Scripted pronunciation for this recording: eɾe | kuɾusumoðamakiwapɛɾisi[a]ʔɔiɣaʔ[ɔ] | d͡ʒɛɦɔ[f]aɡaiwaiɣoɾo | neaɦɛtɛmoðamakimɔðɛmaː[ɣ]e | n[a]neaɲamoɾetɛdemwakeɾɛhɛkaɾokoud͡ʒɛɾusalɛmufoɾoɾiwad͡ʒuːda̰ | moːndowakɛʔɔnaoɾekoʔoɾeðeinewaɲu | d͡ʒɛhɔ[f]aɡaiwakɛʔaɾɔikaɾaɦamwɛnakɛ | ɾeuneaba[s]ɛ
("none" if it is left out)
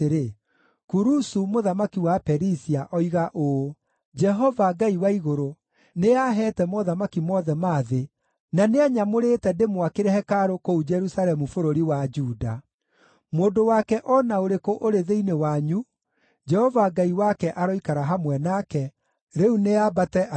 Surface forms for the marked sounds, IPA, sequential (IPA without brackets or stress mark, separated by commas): a, o, v, ð, a, v, t